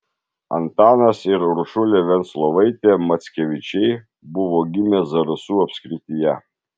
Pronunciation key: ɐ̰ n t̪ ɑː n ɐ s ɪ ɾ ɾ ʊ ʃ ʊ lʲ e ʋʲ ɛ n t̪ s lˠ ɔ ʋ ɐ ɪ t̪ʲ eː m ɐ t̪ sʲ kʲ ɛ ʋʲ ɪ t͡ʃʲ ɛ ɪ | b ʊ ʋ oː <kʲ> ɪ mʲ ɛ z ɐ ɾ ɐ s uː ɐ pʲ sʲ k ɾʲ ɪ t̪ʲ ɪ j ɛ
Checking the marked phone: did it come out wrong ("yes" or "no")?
yes